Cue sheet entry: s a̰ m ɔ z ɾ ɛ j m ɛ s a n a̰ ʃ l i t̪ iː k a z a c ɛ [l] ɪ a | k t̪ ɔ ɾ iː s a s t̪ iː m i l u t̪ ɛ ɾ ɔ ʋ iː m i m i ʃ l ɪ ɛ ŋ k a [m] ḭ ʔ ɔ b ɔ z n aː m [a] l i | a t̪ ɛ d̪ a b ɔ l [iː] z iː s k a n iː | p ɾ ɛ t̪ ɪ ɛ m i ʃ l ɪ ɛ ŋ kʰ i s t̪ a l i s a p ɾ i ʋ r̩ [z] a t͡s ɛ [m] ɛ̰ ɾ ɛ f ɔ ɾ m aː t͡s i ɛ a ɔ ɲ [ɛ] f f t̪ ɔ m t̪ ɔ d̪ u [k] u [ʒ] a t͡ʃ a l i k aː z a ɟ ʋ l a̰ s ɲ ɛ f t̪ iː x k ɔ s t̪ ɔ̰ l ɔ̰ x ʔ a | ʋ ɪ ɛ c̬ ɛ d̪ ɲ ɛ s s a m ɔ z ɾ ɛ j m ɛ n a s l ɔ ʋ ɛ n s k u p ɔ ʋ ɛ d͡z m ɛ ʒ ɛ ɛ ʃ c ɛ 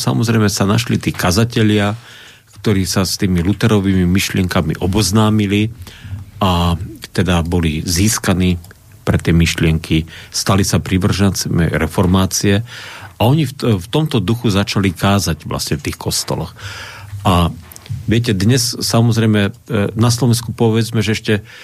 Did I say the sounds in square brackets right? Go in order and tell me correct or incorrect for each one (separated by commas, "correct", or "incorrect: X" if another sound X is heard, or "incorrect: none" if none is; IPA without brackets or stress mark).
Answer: incorrect: ʎ, correct, incorrect: i, incorrect: i, incorrect: ʒ, correct, incorrect: i, incorrect: x, incorrect: z